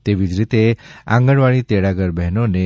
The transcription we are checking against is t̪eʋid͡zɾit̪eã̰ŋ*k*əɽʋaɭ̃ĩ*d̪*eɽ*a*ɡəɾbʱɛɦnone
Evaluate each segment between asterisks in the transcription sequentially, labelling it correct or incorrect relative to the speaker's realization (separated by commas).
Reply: incorrect, incorrect, correct